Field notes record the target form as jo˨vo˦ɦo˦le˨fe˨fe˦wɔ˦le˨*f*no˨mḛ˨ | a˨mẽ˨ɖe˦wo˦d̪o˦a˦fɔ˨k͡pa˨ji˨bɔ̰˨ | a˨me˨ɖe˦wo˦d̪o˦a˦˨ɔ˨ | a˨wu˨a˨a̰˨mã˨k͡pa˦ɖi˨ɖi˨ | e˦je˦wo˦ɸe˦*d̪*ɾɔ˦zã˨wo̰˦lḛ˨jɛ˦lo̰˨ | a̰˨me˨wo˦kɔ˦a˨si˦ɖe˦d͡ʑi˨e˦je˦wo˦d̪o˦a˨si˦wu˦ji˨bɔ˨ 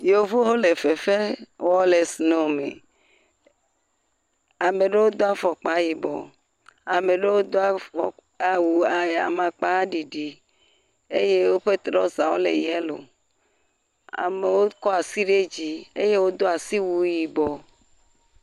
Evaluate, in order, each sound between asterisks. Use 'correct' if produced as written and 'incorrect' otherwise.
incorrect: s, incorrect: t̪

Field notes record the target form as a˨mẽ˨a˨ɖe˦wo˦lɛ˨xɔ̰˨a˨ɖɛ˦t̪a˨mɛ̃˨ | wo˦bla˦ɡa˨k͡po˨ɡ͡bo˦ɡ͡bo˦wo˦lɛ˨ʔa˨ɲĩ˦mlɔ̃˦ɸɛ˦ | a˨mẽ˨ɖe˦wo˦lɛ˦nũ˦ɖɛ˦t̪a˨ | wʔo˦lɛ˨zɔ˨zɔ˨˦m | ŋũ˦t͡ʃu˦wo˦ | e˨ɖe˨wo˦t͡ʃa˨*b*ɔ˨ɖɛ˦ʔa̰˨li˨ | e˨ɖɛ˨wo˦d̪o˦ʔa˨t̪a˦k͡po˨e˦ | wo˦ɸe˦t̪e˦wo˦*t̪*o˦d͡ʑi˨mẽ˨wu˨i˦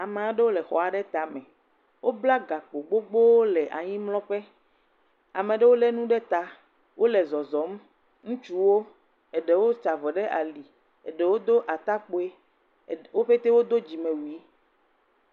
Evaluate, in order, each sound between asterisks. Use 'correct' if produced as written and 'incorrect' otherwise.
incorrect: v, incorrect: d̪

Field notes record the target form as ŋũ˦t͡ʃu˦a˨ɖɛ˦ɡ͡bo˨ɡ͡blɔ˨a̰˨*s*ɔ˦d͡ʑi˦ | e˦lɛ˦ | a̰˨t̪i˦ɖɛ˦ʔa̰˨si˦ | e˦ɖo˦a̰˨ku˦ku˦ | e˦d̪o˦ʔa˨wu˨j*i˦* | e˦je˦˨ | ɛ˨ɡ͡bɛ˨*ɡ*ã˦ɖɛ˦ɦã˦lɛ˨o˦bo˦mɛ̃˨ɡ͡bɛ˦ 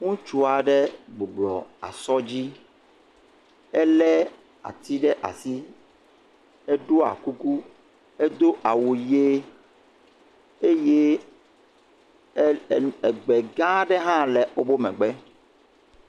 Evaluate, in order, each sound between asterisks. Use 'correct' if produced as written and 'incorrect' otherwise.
correct, incorrect: e˦, correct

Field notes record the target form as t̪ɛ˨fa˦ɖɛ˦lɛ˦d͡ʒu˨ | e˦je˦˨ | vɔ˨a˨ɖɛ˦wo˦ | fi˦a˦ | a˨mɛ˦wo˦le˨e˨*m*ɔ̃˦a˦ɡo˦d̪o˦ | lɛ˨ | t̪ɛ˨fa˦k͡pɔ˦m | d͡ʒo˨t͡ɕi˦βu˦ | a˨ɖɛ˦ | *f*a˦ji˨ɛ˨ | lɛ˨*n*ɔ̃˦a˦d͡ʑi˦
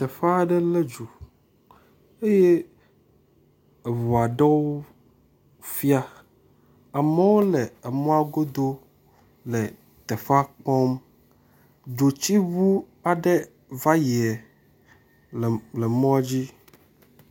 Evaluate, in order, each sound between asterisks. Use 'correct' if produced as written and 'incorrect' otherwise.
correct, incorrect: v, incorrect: m

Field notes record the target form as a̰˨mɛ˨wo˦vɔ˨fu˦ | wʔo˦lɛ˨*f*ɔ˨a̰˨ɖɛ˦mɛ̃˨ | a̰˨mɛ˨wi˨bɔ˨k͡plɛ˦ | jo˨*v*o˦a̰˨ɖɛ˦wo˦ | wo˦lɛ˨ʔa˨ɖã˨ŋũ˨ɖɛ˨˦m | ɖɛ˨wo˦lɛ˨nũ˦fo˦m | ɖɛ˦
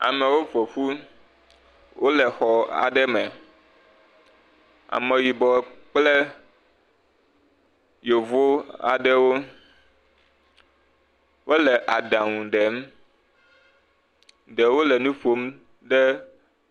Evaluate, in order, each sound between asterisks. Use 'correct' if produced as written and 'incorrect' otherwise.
incorrect: x, correct

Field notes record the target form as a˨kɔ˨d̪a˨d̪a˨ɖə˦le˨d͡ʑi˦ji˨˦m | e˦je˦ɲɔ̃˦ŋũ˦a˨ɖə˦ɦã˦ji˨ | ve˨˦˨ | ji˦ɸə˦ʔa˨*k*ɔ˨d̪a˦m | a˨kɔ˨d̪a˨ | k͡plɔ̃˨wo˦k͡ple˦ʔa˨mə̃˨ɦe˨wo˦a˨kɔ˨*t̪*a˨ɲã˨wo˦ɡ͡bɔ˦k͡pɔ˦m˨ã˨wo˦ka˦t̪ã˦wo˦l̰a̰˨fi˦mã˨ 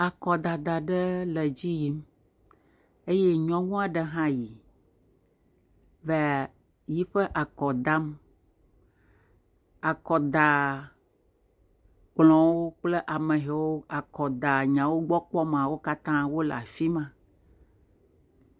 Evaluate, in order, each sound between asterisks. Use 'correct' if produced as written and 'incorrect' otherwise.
correct, incorrect: d̪

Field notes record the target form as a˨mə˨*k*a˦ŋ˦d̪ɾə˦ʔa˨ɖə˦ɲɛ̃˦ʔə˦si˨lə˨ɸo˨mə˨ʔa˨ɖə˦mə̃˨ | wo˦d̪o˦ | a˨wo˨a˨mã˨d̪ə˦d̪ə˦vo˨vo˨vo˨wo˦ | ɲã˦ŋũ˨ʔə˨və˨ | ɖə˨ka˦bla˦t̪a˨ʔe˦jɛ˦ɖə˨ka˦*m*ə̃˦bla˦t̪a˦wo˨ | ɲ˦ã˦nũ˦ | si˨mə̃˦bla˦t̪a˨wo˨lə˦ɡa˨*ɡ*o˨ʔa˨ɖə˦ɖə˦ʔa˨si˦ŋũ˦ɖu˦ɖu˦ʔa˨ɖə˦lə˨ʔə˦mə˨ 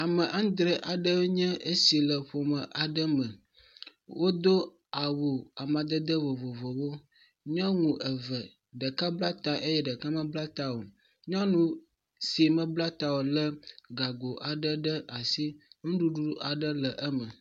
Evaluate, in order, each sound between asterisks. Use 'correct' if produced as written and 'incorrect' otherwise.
incorrect: ʔ, correct, correct

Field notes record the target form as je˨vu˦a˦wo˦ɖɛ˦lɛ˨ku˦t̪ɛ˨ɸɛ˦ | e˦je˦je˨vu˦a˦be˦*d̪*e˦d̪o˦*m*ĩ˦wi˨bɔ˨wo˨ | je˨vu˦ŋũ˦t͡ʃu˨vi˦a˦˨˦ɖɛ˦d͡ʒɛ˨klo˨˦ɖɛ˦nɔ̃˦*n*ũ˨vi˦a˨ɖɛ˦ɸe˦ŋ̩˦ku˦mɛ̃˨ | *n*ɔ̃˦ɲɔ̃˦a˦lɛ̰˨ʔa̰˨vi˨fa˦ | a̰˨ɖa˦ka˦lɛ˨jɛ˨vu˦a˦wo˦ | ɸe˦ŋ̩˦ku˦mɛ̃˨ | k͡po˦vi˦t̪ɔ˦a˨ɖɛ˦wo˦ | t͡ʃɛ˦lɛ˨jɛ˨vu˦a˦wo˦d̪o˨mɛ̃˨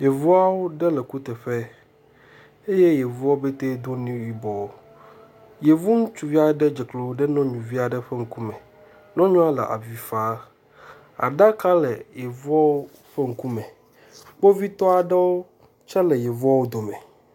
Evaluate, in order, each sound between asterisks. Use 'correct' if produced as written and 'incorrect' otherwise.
incorrect: t̪, incorrect: n, incorrect: ɲ, correct

